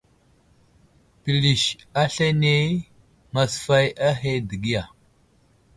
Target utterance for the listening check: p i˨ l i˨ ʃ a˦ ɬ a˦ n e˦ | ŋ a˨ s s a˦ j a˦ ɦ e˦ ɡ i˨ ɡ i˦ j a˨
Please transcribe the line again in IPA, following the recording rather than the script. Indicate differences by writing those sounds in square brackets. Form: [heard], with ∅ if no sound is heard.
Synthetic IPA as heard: p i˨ l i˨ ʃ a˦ ɬ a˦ n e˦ | ŋ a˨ s [f] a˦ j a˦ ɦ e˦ [d] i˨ ɡ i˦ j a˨